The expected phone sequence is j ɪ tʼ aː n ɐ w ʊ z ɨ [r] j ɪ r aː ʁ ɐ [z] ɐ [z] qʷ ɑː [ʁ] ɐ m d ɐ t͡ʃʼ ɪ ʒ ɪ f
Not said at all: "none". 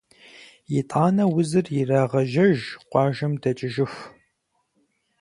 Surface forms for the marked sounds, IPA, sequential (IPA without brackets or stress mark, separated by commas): r, ʒ, ʒ, ʒ